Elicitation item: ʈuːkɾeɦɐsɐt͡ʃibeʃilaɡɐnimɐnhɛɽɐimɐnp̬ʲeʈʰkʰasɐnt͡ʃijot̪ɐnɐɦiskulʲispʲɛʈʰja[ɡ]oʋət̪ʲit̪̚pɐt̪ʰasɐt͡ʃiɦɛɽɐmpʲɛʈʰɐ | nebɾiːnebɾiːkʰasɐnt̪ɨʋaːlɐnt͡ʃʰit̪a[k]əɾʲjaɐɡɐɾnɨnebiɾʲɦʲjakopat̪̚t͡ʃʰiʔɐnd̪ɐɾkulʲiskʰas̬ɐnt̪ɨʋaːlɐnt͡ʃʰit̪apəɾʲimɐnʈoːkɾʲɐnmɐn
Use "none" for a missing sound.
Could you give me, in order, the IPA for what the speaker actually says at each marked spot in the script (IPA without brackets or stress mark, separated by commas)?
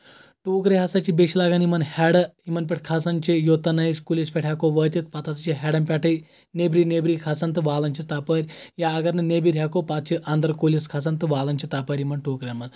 k, p